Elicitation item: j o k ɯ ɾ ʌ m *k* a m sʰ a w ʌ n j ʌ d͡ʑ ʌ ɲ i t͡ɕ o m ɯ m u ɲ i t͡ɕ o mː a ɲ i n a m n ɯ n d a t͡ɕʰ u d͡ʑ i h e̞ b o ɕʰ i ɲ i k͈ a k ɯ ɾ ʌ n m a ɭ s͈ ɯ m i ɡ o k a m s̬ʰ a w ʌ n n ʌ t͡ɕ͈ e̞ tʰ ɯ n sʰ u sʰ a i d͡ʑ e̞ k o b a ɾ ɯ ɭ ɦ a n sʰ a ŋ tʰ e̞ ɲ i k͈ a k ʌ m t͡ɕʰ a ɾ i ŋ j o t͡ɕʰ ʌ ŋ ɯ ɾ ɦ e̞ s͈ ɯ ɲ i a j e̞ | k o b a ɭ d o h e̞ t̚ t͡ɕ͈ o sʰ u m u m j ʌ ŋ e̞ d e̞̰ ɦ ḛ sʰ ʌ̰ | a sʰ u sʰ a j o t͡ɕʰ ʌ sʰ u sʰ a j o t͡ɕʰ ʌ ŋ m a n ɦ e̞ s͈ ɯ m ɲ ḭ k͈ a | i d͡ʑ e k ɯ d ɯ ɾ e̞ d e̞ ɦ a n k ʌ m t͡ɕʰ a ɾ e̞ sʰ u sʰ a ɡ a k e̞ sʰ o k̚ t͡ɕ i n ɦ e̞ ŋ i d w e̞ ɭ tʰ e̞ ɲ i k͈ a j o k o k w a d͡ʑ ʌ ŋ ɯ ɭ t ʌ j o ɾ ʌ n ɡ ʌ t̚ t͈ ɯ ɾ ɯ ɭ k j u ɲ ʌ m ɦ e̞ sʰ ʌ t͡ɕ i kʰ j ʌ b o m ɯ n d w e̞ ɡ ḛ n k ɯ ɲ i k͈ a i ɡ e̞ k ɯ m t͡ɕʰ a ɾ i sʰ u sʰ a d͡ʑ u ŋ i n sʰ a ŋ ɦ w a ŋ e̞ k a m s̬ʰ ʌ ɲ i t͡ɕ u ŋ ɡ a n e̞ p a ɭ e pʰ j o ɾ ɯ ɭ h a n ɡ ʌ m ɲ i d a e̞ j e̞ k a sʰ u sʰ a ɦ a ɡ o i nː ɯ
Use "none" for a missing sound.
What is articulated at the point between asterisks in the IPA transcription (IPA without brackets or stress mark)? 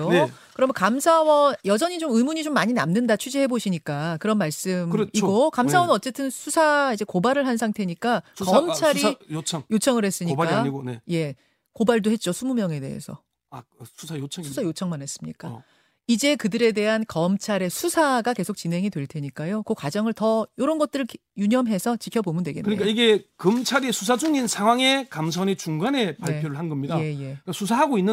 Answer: k